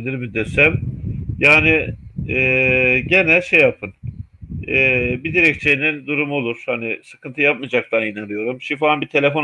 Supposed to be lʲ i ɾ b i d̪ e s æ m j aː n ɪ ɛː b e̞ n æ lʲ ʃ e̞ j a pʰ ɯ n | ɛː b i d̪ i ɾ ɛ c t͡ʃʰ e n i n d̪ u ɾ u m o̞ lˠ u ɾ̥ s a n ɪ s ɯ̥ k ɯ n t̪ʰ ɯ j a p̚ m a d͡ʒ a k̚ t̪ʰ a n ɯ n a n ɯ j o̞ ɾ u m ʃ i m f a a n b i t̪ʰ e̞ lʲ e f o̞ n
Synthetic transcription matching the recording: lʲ i ɾ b i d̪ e s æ m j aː n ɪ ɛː ɟ e̞ n æ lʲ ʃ e̞ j a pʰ ɯ n | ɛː b i d̪ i ɾ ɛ c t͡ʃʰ e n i n d̪ u ɾ u m o̞ lˠ u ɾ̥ h a n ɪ s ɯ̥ k ɯ n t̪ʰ ɯ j a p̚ m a d͡ʒ a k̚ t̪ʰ a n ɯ n a n ɯ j o̞ ɾ u m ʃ i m f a a n b i t̪ʰ e̞ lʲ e f o̞ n